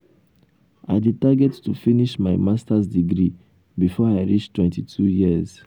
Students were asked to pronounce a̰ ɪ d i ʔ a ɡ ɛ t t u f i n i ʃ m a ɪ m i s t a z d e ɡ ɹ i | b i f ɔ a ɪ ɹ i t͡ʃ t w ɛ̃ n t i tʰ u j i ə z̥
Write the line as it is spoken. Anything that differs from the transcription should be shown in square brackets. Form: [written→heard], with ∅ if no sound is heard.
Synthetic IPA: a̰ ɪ d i [ʔ→t] a ɡ ɛ t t u f i n i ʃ m a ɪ m [i→a] s t a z d [e→i] ɡ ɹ i | b i f ɔ a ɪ ɹ i t͡ʃ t w ɛ̃ n t i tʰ u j i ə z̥